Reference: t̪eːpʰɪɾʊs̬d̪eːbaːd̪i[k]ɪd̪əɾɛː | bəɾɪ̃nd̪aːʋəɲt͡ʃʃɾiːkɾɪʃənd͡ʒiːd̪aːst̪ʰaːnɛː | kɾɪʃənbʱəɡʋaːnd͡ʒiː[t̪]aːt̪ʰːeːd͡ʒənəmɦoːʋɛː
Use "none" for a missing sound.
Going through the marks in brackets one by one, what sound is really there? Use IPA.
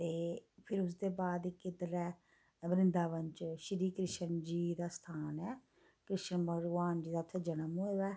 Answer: k, d̪

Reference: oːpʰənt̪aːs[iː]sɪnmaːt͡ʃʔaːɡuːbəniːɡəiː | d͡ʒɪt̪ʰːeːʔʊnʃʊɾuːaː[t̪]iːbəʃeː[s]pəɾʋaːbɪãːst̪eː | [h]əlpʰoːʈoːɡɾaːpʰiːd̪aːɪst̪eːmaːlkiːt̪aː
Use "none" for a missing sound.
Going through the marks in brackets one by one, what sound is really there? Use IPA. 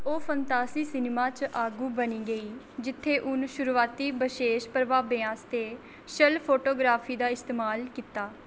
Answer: iː, t̪, ʃ, ʃ

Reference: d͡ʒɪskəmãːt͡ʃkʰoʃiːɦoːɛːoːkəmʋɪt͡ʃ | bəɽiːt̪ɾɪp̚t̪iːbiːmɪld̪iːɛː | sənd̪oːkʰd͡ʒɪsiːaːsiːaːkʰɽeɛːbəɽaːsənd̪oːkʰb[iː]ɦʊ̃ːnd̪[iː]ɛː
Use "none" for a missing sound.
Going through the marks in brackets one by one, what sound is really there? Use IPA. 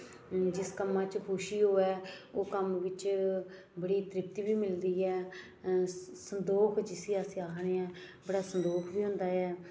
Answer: iː, aː

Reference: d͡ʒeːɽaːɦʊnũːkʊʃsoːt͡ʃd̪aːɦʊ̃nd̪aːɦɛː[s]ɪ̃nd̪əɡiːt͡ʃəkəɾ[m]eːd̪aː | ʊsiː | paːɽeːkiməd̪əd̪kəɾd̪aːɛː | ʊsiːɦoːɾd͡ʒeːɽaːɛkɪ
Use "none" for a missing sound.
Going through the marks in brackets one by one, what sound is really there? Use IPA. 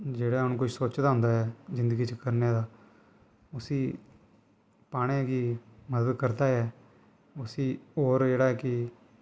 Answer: z, n

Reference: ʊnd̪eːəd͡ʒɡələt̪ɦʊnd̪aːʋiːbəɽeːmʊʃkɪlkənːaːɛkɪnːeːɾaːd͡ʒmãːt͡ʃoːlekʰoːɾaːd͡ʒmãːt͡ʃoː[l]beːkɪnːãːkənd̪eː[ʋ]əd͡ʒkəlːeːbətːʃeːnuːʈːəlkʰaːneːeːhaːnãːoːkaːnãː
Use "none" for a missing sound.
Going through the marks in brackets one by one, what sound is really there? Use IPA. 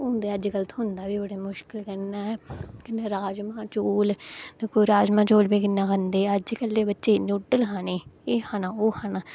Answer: l, none

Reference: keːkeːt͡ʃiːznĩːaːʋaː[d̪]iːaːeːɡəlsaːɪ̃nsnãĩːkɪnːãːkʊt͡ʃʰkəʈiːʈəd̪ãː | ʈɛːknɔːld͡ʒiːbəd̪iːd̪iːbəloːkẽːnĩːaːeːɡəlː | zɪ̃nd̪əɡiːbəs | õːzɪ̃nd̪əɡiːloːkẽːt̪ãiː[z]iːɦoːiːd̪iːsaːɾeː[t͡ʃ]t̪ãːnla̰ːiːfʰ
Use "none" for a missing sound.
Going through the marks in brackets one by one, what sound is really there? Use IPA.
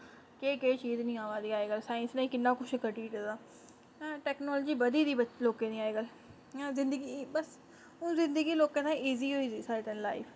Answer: d̪, z, none

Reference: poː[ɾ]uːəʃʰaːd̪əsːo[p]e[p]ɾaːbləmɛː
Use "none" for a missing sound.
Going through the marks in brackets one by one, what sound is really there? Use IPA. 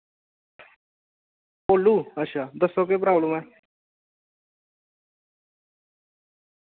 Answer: l, k, p

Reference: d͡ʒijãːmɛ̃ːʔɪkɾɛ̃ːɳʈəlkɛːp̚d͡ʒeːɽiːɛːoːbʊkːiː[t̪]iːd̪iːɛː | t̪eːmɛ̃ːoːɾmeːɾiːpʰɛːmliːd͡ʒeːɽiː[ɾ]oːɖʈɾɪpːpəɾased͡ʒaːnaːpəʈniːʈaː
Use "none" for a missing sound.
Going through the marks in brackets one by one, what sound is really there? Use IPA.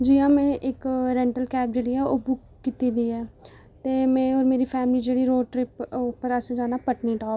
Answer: t̪, ɾ

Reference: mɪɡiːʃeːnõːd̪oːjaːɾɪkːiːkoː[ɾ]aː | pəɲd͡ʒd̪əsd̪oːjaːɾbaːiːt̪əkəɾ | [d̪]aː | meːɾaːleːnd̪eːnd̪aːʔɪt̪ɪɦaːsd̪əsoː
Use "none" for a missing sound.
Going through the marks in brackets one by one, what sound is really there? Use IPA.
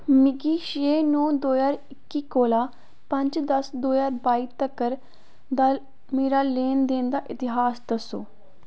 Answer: l, d̪

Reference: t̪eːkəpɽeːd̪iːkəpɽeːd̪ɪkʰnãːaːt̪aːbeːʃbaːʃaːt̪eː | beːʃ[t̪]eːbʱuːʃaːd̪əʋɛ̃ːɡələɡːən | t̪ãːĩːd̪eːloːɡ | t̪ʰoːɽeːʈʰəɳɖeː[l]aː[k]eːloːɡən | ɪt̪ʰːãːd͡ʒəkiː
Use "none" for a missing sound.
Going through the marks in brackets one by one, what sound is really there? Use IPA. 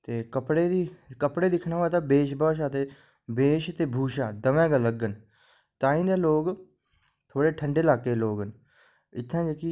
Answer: t̪, l, k

